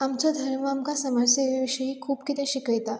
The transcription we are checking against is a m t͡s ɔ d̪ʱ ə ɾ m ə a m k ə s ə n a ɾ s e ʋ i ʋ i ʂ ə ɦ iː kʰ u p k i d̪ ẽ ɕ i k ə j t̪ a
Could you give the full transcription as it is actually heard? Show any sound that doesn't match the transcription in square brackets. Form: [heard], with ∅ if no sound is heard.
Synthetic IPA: a m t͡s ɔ d̪ʱ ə ɾ m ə a m k [a] s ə [m] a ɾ s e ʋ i ʋ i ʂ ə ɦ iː kʰ [uː] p k i [t̪] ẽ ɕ i k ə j t̪ a